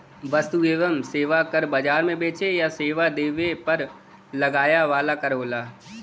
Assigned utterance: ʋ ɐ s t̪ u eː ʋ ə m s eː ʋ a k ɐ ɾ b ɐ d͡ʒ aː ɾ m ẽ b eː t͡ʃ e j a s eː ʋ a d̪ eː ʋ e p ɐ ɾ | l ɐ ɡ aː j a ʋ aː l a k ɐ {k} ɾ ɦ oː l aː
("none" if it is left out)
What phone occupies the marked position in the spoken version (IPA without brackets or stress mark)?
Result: none